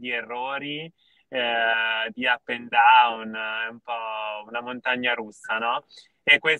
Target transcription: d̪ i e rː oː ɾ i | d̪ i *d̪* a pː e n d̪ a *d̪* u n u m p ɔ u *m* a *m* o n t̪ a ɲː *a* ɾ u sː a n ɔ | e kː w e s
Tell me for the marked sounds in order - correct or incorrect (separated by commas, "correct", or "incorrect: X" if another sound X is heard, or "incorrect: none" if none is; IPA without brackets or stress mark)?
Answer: incorrect: none, incorrect: none, incorrect: n, correct, correct